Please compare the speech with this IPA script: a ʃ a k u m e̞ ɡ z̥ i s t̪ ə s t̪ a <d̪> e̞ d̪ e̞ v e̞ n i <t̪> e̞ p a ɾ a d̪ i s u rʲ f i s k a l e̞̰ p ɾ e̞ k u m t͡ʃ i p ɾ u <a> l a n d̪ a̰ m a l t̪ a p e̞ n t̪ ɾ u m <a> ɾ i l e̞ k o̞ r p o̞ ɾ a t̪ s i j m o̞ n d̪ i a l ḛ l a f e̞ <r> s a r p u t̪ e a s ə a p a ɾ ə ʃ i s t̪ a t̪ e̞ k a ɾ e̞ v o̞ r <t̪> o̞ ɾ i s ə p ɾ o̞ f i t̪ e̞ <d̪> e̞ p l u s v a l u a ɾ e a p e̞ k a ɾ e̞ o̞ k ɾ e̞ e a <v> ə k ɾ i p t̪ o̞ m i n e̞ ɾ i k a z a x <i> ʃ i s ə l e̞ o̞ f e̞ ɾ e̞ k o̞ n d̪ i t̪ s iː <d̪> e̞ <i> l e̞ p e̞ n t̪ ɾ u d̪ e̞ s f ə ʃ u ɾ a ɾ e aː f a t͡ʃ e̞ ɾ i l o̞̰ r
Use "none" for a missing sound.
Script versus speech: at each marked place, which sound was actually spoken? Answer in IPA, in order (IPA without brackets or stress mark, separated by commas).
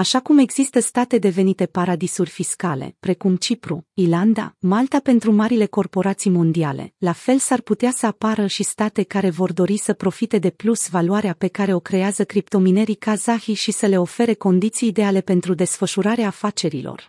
t̪, t̪, i, a, l, d̪, d̪, z, i, d̪, a